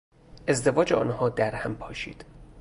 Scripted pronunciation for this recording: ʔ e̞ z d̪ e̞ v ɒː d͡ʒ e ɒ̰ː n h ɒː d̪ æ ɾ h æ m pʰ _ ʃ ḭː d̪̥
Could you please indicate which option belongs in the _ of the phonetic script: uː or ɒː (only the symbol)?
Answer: ɒː